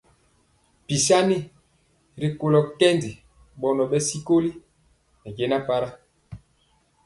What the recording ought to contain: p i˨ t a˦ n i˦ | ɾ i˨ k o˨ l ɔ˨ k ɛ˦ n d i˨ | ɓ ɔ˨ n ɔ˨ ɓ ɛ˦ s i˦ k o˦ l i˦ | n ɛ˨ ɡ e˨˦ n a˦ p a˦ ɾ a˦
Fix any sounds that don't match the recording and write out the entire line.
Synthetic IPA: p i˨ s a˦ n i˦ | ɾ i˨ k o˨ l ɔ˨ k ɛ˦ n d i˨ | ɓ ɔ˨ n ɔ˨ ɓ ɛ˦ s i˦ k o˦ l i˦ | n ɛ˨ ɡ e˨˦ n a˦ p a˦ ɾ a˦